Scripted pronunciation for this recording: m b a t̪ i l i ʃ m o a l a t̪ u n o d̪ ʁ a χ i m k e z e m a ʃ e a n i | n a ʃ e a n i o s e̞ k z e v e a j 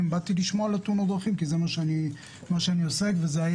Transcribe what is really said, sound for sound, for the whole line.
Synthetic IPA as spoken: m b a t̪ i l i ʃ m o a l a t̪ u n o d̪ ʁ a χ i m k i z e m a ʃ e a n i | m a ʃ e a n i o s e̞ k v e z e a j